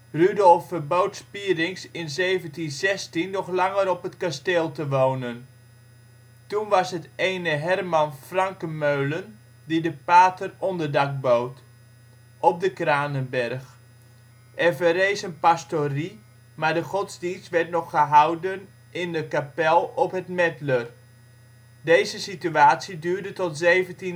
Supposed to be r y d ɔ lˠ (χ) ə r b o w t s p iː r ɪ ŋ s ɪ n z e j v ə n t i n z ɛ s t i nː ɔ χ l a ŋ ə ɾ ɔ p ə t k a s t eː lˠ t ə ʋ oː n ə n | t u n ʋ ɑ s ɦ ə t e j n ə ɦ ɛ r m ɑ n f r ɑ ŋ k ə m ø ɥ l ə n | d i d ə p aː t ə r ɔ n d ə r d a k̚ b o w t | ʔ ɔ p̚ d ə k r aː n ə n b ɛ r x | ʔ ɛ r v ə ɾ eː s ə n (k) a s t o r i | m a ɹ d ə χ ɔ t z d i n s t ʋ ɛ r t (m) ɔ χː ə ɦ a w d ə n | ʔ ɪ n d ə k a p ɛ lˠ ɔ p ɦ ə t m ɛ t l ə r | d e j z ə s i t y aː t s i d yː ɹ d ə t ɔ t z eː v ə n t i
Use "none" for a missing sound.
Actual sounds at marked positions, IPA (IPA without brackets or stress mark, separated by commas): f, p, n